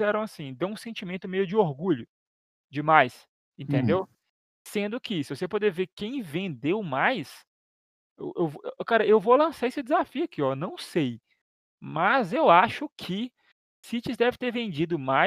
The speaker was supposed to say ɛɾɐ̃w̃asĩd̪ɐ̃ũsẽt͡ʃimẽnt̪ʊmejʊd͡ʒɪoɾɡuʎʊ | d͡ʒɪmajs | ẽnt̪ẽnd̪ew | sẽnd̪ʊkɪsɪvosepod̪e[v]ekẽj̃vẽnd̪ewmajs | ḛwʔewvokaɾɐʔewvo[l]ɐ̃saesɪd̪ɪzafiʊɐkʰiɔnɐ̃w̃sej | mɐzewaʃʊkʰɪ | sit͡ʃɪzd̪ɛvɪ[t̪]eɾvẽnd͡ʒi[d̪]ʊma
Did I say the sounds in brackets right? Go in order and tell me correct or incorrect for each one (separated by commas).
correct, correct, correct, correct